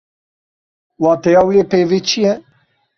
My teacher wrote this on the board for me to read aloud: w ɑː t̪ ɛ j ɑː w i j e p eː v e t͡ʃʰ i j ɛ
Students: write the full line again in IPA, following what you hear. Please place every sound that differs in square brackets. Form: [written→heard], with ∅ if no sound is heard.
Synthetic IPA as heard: w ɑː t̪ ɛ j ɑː w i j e p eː v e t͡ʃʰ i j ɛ